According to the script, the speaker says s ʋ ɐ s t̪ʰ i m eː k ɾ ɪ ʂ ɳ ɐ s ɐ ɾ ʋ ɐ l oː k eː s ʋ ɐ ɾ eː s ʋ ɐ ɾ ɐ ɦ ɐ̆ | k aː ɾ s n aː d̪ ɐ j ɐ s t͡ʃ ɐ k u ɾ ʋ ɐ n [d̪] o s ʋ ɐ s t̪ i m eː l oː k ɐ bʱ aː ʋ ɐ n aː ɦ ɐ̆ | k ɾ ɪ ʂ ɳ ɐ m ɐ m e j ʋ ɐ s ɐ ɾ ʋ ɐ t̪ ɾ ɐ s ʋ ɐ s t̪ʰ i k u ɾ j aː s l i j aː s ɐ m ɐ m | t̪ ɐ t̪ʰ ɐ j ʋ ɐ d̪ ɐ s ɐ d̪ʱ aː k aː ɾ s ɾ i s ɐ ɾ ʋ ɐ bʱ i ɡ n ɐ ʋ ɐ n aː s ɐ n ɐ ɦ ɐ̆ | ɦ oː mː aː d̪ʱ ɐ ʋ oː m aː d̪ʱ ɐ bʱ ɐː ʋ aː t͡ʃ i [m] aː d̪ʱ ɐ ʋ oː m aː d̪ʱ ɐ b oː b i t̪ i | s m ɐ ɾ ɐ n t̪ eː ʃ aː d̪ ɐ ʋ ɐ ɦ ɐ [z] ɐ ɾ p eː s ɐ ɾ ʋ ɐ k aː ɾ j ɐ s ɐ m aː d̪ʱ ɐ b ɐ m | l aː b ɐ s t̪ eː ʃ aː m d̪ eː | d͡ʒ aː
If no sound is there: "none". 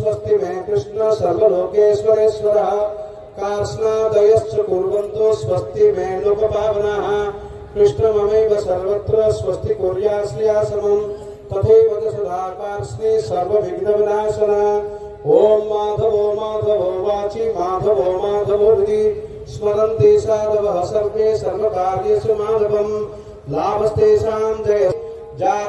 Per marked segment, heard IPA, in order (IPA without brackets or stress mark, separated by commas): t̪, m, s